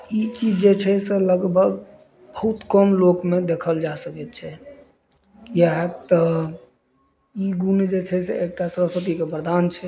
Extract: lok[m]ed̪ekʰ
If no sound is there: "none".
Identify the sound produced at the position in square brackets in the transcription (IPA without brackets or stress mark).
m